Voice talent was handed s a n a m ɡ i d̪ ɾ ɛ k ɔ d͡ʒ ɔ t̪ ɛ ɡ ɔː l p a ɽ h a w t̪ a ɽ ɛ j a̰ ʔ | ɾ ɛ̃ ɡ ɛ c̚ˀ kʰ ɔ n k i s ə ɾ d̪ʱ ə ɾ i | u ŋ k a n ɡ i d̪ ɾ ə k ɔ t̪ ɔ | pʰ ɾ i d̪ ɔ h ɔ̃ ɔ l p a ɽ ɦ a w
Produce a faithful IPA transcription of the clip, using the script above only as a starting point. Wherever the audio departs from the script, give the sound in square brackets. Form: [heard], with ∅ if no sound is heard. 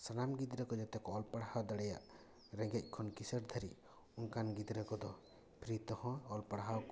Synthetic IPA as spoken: s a n a m ɡ i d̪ ɾ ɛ k ɔ d͡ʒ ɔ t̪ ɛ [k] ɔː l p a ɽ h a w [d̪] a ɽ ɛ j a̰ ʔ | ɾ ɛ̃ ɡ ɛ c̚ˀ kʰ ɔ n k i s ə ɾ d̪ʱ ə ɾ i | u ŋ k a n ɡ i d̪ ɾ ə k ɔ [d̪] ɔ | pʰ ɾ i [t̪] ɔ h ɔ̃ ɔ l p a ɽ ɦ a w

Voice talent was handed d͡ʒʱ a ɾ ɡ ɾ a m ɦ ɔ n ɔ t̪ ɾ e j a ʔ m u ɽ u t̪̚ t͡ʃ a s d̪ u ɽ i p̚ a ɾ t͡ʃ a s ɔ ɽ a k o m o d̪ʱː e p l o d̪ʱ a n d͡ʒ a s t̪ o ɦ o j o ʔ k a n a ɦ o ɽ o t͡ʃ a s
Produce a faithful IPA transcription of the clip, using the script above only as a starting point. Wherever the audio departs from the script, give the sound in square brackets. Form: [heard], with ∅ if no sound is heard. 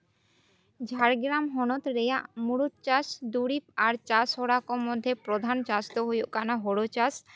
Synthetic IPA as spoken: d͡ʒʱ a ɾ ɡ ɾ a m ɦ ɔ n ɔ t̪ ɾ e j a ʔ m u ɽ u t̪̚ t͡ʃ a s d̪ u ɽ i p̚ a ɾ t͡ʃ a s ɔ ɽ a k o m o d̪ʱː e p [ɾ] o d̪ʱ a n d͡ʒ a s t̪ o ɦ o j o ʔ k a n a ɦ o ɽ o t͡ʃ a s

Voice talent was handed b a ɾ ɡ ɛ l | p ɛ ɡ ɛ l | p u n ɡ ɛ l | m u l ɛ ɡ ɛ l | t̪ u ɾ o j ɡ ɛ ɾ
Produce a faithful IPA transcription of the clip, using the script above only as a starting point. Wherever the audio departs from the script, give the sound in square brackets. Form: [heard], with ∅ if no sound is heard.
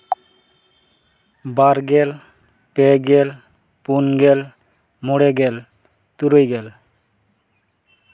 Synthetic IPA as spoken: b a ɾ ɡ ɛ l | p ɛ ɡ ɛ l | p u n ɡ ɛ l | m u [ɽ] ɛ ɡ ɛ l | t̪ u ɾ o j ɡ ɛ [l]

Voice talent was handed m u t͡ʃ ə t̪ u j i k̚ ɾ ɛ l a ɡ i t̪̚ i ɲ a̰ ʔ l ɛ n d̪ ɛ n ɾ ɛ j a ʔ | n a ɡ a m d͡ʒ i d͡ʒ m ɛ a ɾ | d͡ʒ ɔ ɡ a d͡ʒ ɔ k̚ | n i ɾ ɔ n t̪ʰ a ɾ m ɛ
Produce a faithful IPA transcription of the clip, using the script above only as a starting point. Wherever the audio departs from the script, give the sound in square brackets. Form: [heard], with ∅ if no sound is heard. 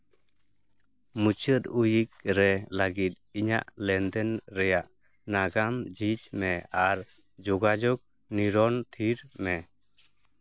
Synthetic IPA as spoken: m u t͡ʃ ə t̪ u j i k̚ ɾ ɛ l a ɡ i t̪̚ i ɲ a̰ ʔ l ɛ n d̪ ɛ n ɾ ɛ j a ʔ | n a ɡ a m d͡ʒ i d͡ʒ m ɛ a ɾ | d͡ʒ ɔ ɡ a d͡ʒ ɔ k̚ | n i ɾ ɔ n t̪ʰ [i] ɾ m ɛ

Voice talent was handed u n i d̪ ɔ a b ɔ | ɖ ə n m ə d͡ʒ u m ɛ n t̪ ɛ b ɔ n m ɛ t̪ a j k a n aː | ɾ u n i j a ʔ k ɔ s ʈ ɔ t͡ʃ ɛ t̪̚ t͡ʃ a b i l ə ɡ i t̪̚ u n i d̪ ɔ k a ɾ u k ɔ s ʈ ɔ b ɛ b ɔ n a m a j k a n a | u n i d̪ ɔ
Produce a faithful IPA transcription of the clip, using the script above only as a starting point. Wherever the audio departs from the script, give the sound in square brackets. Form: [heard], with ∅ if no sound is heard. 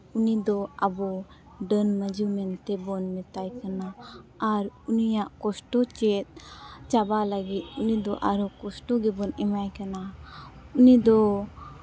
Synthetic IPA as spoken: u n i d̪ ɔ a b ɔ | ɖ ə n m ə d͡ʒ u m ɛ n t̪ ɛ b ɔ n m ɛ t̪ a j k a n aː | ɾ u n i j a ʔ k ɔ s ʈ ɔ t͡ʃ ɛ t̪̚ t͡ʃ a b [a] l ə ɡ i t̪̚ u n i d̪ ɔ [ʔ] a ɾ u k ɔ s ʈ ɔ [ɡ] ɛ b ɔ n [ɛ] m a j k a n a | u n i d̪ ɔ

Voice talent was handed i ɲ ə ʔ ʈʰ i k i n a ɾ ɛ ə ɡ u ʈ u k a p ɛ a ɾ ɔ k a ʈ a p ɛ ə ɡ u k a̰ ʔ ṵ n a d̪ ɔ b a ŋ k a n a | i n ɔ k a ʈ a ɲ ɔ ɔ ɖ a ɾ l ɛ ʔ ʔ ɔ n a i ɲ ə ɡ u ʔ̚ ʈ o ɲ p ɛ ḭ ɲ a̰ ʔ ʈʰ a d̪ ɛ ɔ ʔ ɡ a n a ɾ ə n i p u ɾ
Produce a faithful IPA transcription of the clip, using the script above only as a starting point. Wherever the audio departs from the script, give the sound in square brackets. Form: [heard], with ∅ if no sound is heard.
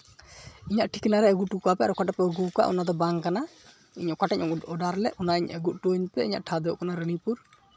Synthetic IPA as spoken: i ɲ [a] ʔ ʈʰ i k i n a ɾ ɛ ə ɡ u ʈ u k a p ɛ a ɾ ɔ k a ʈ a p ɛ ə ɡ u k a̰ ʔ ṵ n a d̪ ɔ b a ŋ k a n a | i [ɲ] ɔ k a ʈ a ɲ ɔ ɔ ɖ a ɾ l ɛ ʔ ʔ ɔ n a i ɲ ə ɡ u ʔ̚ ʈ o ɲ p ɛ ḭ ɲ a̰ ʔ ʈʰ a d̪ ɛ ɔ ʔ [k] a n a ɾ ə n i p u ɾ

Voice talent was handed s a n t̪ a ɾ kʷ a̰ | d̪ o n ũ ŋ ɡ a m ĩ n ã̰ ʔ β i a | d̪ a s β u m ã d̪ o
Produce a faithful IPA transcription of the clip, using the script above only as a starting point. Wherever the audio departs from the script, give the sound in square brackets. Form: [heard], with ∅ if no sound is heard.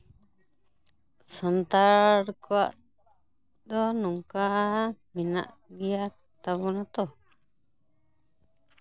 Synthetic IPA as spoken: s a n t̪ a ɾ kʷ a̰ | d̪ o n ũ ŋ [k] a m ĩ n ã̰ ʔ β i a | [t̪] a [∅] β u [n] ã [t̪] o

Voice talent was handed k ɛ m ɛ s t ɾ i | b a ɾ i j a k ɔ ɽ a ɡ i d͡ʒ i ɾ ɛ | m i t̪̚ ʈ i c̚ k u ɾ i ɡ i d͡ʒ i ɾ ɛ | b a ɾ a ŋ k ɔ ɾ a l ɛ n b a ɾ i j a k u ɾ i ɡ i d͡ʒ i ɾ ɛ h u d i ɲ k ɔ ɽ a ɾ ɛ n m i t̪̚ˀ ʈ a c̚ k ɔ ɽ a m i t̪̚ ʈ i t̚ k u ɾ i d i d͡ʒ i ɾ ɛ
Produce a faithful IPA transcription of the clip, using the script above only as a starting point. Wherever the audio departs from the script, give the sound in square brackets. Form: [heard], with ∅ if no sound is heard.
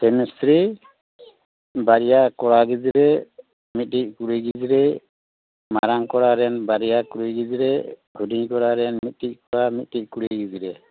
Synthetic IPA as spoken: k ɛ m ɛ s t ɾ i | b a ɾ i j a k ɔ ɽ a ɡ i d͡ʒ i ɾ ɛ | m i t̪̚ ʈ i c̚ k u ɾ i ɡ i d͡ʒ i ɾ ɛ | [m] a ɾ a ŋ k ɔ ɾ a [ɾ] ɛ n b a ɾ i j a k u ɾ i ɡ i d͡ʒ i ɾ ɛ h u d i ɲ k ɔ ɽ a ɾ ɛ n m i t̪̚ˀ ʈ [i] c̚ k ɔ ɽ a m i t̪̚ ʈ i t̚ k u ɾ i [ɡ] i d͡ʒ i ɾ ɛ

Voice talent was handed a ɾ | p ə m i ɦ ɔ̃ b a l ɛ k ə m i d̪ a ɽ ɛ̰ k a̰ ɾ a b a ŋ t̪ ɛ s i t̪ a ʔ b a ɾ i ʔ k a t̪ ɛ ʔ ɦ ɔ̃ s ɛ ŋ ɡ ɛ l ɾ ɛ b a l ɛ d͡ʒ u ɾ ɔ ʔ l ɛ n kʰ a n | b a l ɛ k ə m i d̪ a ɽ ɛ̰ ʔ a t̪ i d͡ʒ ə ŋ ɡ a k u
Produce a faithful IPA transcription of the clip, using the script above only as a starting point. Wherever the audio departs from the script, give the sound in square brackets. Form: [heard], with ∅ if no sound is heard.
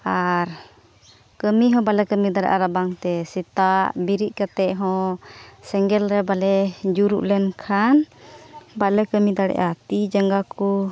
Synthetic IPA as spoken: a ɾ | [k] ə m i ɦ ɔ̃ b a l ɛ k ə m i d̪ a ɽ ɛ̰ [ʔ] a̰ ɾ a b a ŋ t̪ ɛ s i t̪ a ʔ b [i] ɾ i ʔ k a t̪ ɛ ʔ ɦ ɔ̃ s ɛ ŋ ɡ ɛ l ɾ ɛ b a l ɛ d͡ʒ u ɾ [u] ʔ l ɛ n kʰ a n | b a l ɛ k ə m i d̪ a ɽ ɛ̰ ʔ a t̪ i d͡ʒ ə ŋ ɡ a k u

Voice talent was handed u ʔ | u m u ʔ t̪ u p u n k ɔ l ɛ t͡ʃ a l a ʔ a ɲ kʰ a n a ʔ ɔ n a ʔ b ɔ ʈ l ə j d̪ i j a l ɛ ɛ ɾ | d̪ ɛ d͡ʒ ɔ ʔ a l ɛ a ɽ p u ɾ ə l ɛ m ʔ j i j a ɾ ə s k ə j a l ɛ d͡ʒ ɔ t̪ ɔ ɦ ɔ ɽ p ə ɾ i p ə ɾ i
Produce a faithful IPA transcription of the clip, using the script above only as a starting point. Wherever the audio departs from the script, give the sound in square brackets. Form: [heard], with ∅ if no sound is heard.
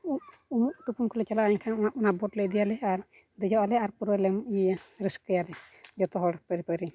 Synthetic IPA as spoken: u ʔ | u m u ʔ t̪ u p u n k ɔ l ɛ t͡ʃ a l a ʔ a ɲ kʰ a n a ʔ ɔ n a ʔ b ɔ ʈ l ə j d̪ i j a l ɛ [a] ɾ | d̪ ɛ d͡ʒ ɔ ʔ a l ɛ a [ɾ] p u ɾ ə l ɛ m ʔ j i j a ɾ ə s k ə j a l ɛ d͡ʒ ɔ t̪ ɔ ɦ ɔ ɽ p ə ɾ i p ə ɾ i

